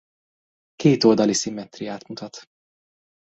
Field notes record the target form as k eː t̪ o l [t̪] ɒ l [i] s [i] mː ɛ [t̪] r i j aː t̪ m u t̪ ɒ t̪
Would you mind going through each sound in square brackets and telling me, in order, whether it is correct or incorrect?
incorrect, correct, correct, correct

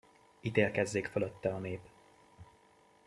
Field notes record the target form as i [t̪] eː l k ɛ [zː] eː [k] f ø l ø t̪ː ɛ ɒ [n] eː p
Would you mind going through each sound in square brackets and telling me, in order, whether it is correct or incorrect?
correct, correct, correct, correct

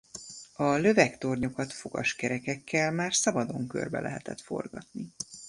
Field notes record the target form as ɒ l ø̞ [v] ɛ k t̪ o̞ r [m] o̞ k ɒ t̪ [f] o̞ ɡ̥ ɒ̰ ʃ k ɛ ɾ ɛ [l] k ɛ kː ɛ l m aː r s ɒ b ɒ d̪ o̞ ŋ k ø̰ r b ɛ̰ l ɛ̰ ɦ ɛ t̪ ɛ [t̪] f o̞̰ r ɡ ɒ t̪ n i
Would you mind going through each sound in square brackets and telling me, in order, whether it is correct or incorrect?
correct, incorrect, correct, incorrect, correct

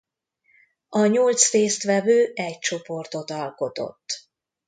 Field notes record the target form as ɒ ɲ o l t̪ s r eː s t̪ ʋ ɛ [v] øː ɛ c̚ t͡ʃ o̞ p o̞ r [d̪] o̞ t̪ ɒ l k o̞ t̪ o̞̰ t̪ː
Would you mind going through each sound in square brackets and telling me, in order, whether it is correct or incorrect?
correct, incorrect

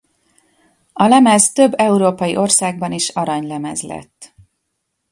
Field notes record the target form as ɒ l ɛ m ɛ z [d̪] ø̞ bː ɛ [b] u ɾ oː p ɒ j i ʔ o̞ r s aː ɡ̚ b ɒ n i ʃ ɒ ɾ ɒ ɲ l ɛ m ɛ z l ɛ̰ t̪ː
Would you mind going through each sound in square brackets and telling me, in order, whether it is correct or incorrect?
incorrect, incorrect

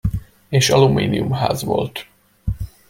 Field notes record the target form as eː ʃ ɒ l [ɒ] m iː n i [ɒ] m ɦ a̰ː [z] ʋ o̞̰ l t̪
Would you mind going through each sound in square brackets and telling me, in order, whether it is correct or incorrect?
incorrect, incorrect, correct

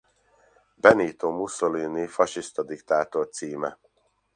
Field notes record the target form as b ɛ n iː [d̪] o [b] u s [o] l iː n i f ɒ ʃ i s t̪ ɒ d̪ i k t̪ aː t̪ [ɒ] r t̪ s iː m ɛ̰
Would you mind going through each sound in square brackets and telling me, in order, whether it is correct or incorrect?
incorrect, incorrect, correct, incorrect

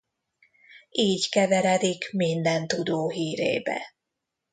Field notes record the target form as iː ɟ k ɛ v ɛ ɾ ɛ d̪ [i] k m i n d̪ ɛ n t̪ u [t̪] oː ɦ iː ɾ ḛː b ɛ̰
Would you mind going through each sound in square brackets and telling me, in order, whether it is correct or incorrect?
correct, incorrect

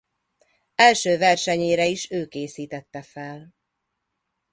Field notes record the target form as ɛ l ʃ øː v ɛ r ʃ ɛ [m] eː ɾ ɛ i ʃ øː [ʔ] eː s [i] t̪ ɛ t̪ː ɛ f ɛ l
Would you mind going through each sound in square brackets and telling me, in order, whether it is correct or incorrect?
incorrect, incorrect, incorrect

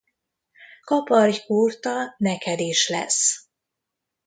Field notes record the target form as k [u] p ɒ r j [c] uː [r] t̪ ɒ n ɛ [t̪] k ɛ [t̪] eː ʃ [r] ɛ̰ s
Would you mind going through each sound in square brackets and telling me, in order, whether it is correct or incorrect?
incorrect, incorrect, correct, incorrect, incorrect, incorrect

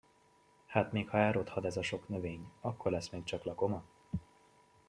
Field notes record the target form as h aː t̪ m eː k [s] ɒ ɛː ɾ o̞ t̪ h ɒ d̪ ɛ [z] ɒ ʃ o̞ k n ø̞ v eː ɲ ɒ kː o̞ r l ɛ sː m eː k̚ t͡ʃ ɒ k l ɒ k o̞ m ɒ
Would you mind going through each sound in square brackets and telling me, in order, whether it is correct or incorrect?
incorrect, correct

